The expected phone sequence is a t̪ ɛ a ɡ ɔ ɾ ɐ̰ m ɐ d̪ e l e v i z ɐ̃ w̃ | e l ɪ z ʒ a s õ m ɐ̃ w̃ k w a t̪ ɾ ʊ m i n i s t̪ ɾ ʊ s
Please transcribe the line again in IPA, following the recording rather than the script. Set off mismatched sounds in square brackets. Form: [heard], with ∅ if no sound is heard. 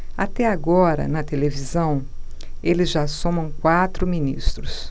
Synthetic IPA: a t̪ ɛ a ɡ ɔ ɾ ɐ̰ [n] ɐ [t̪] e l e v i z ɐ̃ w̃ | e l ɪ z ʒ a s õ m ɐ̃ w̃ k w a t̪ ɾ ʊ m i n i s t̪ ɾ ʊ s